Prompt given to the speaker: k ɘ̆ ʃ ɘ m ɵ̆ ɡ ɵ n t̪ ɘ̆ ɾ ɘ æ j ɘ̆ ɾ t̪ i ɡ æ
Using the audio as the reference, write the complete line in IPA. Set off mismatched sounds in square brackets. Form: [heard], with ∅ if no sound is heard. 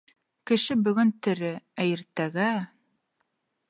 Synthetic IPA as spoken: k ɘ̆ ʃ ɘ [b] ɵ̆ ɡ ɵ n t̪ ɘ̆ ɾ ɘ æ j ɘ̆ ɾ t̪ [æ] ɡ æ